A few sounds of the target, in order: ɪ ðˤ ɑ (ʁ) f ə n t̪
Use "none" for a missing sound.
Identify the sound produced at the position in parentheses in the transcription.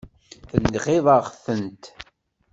ʁ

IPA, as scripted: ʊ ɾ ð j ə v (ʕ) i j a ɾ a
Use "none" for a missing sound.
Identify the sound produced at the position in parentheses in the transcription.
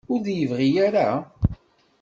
ʁ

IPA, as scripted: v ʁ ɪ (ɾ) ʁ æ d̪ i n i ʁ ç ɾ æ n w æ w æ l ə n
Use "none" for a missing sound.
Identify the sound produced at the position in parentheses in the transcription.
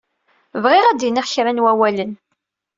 none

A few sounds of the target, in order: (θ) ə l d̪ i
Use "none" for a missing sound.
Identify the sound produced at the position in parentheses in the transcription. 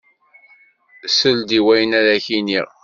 s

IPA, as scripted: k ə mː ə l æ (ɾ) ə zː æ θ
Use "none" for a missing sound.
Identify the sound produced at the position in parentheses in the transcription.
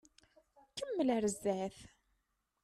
ɾ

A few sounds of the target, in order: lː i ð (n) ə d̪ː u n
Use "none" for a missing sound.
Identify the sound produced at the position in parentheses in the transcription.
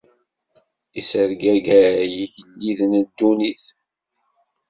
n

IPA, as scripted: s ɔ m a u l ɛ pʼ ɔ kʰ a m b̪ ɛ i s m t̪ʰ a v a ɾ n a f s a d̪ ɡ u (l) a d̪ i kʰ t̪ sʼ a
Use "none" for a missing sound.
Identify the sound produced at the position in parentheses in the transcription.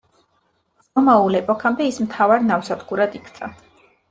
ɾ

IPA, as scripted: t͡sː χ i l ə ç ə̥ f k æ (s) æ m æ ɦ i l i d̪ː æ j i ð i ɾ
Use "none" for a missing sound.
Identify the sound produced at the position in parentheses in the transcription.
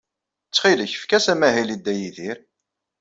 s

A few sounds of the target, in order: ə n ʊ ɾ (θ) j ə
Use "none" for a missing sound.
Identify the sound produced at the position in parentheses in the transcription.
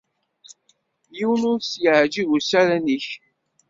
s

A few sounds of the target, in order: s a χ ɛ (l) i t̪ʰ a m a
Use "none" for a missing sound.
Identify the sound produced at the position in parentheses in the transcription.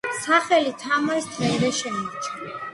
l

